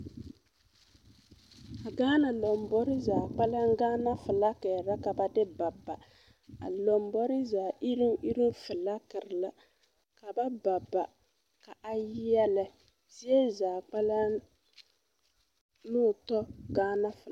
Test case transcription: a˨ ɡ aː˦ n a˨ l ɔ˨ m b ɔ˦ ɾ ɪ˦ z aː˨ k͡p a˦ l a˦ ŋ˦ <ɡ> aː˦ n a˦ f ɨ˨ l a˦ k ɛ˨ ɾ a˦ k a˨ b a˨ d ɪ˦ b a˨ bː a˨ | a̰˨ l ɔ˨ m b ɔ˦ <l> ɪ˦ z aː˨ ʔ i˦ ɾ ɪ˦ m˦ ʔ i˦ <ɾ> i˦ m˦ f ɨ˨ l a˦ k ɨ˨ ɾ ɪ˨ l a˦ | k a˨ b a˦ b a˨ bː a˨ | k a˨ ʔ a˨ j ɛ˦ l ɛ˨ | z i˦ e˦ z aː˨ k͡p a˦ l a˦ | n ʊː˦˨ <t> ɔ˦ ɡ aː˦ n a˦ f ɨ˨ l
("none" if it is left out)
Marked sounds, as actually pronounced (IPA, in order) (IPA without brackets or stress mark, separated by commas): ɡ, ɾ, ɾ, t